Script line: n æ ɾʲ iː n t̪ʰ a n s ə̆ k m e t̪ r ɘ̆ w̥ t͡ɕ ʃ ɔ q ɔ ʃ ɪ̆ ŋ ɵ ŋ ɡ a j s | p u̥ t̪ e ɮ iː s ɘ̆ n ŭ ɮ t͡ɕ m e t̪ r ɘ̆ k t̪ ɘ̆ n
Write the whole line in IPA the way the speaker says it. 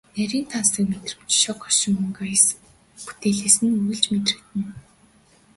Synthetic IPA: n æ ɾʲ iː n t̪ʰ a n s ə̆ k m e t̪ r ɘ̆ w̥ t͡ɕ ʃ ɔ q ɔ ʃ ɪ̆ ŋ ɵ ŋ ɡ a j s | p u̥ t̪ e ɮ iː s ɘ̆ n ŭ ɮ t͡ɕ m e t̪ r ɘ̆ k t̪ ɘ̆ n